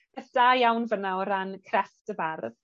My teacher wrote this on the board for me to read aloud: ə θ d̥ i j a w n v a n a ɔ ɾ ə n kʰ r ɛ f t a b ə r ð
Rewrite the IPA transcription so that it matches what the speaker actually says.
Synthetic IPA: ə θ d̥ a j a w n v ə n a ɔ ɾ a n kʰ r ɛ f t ə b a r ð